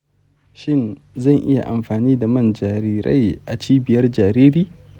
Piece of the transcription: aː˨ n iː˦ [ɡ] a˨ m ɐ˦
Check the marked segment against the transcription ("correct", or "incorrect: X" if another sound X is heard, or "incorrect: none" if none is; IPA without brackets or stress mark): incorrect: d